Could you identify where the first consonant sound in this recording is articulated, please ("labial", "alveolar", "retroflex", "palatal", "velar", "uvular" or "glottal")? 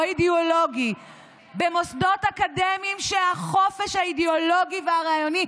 alveolar